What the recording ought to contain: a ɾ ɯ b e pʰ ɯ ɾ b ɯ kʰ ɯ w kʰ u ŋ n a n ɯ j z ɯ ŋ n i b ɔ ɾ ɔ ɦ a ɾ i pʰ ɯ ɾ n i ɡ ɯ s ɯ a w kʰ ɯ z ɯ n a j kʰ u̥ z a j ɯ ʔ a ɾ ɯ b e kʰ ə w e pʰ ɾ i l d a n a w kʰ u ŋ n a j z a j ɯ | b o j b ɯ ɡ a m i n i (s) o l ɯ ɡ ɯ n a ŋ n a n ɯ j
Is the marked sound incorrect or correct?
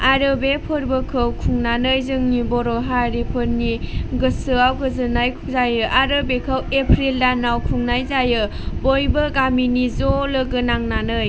incorrect